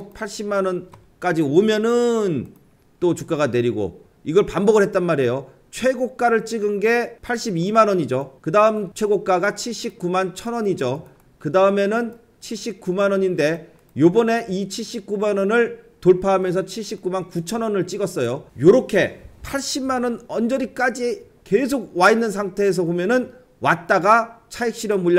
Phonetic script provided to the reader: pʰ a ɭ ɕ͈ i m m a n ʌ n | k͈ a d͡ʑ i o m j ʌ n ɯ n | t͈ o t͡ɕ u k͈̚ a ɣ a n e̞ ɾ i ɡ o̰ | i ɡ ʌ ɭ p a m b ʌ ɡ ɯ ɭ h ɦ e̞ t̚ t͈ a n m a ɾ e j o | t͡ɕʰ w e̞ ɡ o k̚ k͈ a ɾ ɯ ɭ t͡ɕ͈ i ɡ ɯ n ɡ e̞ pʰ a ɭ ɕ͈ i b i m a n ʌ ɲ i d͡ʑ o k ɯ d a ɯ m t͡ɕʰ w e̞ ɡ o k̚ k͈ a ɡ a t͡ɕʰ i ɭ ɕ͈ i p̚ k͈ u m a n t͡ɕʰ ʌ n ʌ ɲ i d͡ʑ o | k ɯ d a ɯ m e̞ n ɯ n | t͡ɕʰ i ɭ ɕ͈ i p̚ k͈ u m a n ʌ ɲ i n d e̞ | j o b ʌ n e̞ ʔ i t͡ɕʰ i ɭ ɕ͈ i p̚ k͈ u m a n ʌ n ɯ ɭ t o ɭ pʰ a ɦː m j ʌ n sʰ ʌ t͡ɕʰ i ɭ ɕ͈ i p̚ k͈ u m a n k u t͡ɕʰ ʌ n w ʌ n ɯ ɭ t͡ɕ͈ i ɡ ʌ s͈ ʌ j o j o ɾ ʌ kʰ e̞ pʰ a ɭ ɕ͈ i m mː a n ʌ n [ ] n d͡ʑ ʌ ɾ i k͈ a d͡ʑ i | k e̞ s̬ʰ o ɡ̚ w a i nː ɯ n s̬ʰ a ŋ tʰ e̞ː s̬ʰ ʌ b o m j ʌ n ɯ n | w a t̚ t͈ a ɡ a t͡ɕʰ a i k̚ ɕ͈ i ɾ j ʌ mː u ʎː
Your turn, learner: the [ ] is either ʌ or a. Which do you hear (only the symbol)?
ʌ